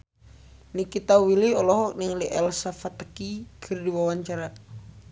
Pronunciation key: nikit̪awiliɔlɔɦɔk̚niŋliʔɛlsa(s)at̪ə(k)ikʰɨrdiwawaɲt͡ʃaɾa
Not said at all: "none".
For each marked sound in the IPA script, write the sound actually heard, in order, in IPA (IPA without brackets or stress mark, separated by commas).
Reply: f, k